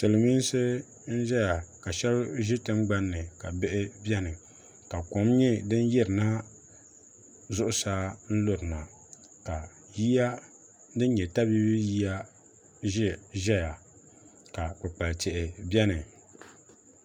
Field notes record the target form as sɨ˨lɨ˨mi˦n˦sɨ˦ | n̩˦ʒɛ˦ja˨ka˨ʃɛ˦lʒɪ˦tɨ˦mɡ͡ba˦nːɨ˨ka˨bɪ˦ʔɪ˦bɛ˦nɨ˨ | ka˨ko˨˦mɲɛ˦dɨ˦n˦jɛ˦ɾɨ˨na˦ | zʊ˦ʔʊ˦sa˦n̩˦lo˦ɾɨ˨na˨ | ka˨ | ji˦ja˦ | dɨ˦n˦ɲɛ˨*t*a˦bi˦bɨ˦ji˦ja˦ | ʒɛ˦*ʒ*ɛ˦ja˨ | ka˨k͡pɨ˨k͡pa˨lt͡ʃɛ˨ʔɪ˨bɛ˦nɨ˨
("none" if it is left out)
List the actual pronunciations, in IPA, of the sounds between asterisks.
t, ʒ

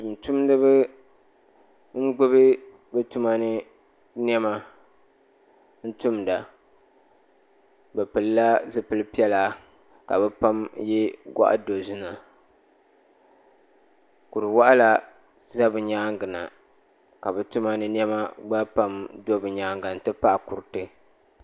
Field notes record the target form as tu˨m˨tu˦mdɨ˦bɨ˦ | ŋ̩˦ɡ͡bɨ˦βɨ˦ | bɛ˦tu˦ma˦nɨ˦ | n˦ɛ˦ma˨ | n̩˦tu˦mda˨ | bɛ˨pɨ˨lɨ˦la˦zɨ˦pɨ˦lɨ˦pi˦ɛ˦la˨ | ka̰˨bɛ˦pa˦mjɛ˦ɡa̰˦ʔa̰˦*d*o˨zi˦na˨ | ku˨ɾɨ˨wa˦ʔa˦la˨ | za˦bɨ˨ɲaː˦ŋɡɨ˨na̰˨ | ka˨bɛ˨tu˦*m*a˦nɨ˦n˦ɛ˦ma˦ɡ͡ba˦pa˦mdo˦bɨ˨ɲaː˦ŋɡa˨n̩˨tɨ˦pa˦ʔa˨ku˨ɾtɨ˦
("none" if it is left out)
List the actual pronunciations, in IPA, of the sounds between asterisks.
d, m

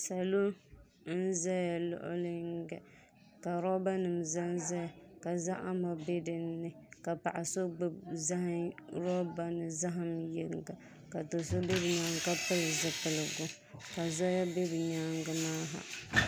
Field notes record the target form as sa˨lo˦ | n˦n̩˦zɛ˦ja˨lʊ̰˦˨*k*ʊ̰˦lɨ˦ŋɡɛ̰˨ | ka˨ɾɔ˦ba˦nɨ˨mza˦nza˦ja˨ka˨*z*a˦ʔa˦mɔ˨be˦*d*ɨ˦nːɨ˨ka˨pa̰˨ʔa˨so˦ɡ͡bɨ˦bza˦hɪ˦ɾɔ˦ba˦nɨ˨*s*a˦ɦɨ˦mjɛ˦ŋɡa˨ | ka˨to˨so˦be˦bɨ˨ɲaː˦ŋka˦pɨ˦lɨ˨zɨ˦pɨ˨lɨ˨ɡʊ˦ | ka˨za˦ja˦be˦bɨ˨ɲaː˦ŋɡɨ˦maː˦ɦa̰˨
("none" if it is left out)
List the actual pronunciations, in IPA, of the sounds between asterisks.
ʔ, z, d, z

